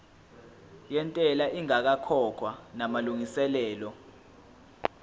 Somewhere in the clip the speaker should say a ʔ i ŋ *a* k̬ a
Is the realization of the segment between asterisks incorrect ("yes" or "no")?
no